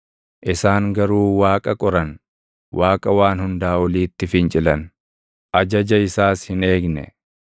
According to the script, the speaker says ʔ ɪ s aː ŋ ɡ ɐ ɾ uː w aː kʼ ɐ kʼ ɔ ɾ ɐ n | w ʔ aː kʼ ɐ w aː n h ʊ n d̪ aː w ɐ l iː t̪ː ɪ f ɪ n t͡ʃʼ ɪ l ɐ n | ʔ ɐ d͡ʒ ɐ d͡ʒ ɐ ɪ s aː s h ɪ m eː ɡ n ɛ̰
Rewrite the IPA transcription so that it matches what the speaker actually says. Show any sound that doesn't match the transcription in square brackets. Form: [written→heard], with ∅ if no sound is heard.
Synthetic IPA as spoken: ʔ ɪ s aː ŋ ɡ ɐ ɾ uː w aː kʼ ɐ kʼ ɔ ɾ ɐ n | w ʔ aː kʼ ɐ w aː n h ʊ n d̪ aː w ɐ l iː t̪ː ɪ f ɪ n t͡ʃʼ ɪ l ɐ n | ʔ ɐ d͡ʒ ɐ d͡ʒ ɐ ɪ s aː s h ɪ [m→n] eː ɡ n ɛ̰

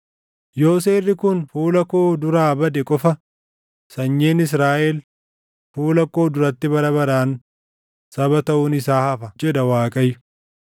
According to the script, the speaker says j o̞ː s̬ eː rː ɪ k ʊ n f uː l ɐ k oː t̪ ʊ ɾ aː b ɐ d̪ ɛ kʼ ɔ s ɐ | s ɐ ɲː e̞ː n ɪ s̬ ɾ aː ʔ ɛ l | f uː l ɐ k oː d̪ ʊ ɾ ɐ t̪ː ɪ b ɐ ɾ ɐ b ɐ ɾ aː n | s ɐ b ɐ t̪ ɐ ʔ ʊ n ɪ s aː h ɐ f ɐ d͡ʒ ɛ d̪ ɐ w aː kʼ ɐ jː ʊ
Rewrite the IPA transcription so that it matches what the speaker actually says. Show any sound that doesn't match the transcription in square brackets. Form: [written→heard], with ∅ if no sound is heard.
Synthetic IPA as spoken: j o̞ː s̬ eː rː ɪ k ʊ n f uː l ɐ k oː [t̪→d̪] ʊ ɾ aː b ɐ d̪ ɛ kʼ ɔ [s→f] ɐ | s ɐ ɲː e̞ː n ɪ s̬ ɾ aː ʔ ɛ l | f uː l ɐ k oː d̪ ʊ ɾ ɐ t̪ː ɪ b ɐ ɾ ɐ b ɐ ɾ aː n | s ɐ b ɐ t̪ ɐ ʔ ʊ n ɪ s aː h ɐ f ɐ d͡ʒ ɛ d̪ ɐ w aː kʼ ɐ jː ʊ

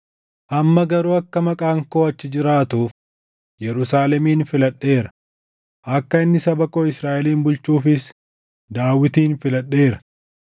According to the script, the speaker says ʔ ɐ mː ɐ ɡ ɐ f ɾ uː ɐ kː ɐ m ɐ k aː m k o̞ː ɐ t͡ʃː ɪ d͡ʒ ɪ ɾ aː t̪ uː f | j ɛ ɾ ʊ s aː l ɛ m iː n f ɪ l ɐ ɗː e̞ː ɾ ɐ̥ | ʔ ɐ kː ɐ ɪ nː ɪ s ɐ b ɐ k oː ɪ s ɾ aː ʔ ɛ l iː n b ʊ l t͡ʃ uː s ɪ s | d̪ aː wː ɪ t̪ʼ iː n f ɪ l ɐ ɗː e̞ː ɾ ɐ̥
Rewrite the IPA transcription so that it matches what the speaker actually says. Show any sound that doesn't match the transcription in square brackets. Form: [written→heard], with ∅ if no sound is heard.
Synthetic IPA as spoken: ʔ ɐ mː ɐ ɡ ɐ [f→∅] ɾ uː ɐ kː ɐ m ɐ [k→kʼ] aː [m→ŋ] k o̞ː ɐ t͡ʃː ɪ d͡ʒ ɪ ɾ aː t̪ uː f | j ɛ ɾ ʊ s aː l ɛ m iː n f ɪ l ɐ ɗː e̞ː ɾ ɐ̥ | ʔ ɐ kː ɐ ɪ nː ɪ s ɐ b ɐ k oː ɪ s ɾ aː ʔ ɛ l iː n b ʊ l t͡ʃ uː [s→f] ɪ s | d̪ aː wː ɪ [t̪ʼ→t̪] iː n f ɪ l ɐ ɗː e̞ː ɾ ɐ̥

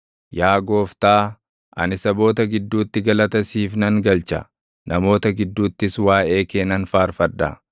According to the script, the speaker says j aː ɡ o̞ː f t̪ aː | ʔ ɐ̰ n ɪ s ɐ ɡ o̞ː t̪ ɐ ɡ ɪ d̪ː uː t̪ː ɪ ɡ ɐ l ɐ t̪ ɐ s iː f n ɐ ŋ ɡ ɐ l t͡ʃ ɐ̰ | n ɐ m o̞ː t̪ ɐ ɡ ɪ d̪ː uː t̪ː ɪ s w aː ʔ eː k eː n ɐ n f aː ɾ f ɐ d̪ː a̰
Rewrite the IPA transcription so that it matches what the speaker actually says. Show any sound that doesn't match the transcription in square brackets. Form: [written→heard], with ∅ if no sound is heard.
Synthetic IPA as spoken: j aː ɡ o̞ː f t̪ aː | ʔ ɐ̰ n ɪ s ɐ [ɡ→b] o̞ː t̪ ɐ ɡ ɪ d̪ː uː t̪ː ɪ ɡ ɐ l ɐ t̪ ɐ s iː f n ɐ ŋ ɡ ɐ l t͡ʃ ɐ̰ | n ɐ m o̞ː t̪ ɐ ɡ ɪ d̪ː uː t̪ː ɪ s w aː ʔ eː k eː n ɐ n f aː ɾ f ɐ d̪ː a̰

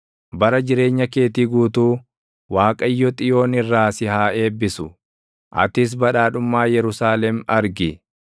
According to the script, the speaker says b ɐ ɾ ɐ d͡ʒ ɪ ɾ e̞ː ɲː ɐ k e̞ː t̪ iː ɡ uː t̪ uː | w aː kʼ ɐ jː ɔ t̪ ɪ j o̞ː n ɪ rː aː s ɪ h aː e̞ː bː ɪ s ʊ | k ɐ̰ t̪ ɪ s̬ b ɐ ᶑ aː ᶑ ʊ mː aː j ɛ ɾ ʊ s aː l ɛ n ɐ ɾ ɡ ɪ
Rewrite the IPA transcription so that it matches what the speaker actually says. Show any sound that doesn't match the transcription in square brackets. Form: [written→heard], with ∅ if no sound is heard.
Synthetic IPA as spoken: b ɐ ɾ ɐ d͡ʒ ɪ ɾ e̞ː ɲː ɐ k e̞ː t̪ iː ɡ uː t̪ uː | w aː kʼ ɐ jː ɔ [t̪→t̪ʼ] ɪ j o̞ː n ɪ rː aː s ɪ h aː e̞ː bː ɪ s ʊ | [k→ʔ] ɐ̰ t̪ ɪ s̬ b ɐ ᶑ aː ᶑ ʊ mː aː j ɛ ɾ ʊ s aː l ɛ [n→m] ɐ ɾ ɡ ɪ

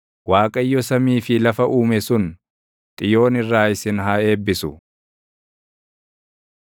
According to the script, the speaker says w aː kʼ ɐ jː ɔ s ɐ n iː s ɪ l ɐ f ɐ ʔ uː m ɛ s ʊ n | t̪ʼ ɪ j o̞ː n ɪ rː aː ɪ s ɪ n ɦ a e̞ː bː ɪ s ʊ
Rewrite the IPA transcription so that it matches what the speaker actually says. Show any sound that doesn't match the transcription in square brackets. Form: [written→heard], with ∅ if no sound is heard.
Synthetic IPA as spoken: w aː kʼ ɐ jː ɔ s ɐ [n→m] iː [s→f] ɪ l ɐ f ɐ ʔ uː m ɛ s ʊ n | t̪ʼ ɪ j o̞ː n ɪ rː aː ɪ s ɪ n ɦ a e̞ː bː ɪ s ʊ

